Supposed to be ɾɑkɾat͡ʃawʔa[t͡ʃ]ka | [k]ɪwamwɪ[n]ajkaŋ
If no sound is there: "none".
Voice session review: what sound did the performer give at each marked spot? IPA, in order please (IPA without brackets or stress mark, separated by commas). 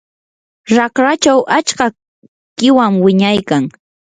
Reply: t͡ʃ, k, ɲ